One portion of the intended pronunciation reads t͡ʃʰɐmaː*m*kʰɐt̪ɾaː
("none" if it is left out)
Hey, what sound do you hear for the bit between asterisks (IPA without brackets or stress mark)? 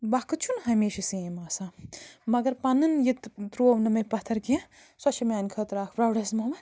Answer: n